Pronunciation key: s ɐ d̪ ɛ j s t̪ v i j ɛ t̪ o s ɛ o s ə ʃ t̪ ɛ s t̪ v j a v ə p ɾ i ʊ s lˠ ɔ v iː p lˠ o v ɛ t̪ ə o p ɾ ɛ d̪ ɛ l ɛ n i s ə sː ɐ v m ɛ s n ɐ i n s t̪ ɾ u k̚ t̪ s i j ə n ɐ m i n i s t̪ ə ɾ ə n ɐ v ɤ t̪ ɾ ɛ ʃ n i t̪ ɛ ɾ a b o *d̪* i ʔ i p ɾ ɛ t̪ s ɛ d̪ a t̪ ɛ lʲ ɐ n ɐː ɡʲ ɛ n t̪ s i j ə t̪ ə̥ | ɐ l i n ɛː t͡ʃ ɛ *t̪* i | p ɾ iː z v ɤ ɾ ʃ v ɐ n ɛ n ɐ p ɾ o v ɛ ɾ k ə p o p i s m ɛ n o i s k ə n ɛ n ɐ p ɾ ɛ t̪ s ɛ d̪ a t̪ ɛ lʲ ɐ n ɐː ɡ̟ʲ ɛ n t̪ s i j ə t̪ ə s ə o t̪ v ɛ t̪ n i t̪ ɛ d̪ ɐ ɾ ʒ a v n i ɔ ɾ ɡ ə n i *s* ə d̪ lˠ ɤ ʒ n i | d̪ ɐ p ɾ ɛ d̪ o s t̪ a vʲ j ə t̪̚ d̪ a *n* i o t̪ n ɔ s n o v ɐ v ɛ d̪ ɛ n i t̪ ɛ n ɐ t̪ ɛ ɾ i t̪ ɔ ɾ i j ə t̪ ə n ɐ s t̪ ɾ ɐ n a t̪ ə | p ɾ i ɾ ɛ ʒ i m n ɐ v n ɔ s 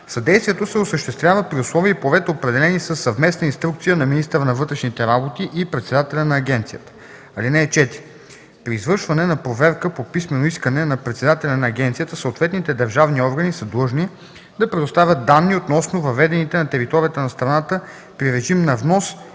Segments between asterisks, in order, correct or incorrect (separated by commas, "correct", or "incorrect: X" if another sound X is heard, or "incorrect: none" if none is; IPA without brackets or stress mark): incorrect: t̪, correct, correct, incorrect: nː